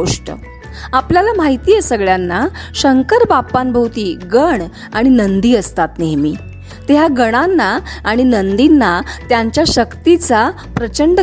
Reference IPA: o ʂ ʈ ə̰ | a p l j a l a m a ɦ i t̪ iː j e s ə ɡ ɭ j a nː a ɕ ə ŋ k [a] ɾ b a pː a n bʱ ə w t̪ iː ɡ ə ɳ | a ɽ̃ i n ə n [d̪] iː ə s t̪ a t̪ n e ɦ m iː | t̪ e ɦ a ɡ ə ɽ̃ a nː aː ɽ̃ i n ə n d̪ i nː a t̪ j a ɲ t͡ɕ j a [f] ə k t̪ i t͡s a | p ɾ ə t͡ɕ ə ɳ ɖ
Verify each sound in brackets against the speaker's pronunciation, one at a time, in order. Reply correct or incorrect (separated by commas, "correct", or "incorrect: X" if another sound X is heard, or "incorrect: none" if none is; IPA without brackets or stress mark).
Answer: incorrect: ə, correct, incorrect: ɕ